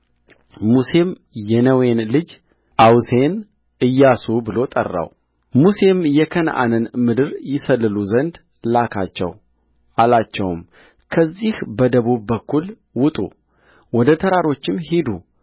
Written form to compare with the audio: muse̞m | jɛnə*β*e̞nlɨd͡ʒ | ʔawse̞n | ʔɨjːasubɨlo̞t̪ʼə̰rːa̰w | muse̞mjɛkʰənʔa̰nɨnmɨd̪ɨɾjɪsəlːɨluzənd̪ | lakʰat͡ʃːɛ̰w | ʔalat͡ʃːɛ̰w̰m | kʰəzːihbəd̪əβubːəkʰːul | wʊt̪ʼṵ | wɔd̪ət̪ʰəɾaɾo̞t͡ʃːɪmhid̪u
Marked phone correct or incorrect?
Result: incorrect